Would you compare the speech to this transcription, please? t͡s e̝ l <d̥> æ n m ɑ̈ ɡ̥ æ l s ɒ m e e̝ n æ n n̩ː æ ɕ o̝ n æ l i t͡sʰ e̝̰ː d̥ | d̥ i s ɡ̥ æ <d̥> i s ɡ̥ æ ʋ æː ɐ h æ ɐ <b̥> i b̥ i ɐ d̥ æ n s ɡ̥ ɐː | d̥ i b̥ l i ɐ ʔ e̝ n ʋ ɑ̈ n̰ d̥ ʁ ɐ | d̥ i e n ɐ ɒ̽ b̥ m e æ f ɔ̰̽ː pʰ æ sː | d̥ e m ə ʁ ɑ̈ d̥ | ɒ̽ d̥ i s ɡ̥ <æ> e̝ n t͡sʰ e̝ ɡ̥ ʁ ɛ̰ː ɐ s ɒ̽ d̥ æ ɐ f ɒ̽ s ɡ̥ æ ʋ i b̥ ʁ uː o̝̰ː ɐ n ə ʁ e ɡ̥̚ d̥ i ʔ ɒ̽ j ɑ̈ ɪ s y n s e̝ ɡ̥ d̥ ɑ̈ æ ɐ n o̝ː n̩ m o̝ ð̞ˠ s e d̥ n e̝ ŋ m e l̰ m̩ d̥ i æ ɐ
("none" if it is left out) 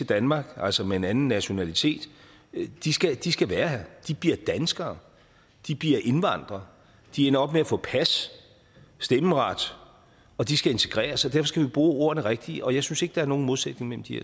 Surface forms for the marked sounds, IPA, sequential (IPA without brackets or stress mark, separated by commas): d̥, d̥, d̥, æ